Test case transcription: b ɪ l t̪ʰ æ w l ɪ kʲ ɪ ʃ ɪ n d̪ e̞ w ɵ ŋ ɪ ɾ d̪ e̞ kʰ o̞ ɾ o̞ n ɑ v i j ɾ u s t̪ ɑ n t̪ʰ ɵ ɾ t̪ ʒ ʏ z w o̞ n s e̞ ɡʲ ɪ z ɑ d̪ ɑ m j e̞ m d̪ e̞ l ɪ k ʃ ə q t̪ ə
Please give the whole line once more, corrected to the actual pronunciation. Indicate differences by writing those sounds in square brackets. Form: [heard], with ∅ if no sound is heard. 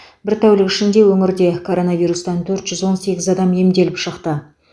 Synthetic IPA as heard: b ɪ [ɾ] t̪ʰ æ w l ɪ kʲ ɪ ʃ ɪ n d̪ e̞ w ɵ ŋ ɪ ɾ d̪ e̞ kʰ o̞ ɾ o̞ n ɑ v i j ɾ u s t̪ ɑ n t̪ʰ ɵ ɾ t̪ ʒ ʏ z w o̞ n s e̞ ɡʲ ɪ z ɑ d̪ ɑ m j e̞ m d̪ e̞ l ɪ [p] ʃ ə q t̪ ə